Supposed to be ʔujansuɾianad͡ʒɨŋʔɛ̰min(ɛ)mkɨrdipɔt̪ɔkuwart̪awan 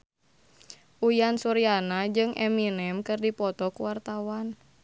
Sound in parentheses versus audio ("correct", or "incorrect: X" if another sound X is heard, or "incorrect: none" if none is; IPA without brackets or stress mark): correct